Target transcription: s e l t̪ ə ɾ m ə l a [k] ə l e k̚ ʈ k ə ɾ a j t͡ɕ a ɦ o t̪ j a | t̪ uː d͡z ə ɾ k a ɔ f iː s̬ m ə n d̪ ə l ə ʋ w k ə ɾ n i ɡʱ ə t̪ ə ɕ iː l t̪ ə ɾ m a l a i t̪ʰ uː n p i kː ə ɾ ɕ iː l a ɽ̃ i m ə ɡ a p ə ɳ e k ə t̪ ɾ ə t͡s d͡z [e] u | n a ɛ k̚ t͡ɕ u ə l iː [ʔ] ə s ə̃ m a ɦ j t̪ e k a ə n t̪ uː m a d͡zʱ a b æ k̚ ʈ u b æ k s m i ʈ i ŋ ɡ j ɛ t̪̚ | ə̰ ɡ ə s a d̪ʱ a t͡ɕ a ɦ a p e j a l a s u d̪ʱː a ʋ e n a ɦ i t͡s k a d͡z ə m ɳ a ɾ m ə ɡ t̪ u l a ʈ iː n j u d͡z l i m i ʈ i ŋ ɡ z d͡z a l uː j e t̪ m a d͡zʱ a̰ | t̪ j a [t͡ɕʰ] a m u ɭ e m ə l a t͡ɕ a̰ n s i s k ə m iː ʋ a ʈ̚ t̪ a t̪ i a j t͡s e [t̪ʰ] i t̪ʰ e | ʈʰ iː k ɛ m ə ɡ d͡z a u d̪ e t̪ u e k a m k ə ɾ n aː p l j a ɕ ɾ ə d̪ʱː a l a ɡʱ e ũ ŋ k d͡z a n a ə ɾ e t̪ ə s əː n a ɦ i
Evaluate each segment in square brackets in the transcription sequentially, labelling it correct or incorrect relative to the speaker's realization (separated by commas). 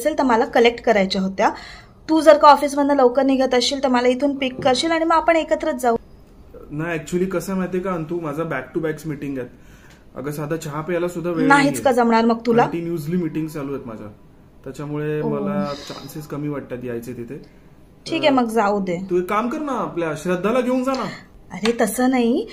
correct, incorrect, incorrect, incorrect, incorrect